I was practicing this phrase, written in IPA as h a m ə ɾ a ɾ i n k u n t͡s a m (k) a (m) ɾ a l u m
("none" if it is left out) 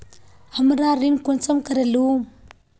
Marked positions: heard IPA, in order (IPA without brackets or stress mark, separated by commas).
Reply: k, none